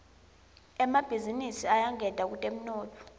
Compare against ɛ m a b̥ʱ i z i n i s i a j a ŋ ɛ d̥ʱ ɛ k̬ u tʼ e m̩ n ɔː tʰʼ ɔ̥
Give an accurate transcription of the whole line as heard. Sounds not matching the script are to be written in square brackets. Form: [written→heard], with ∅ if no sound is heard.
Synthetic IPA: ɛ m a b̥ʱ i z i n i s i a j a ŋ ɛ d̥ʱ [ɛ→a] k̬ u tʼ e m̩ n ɔː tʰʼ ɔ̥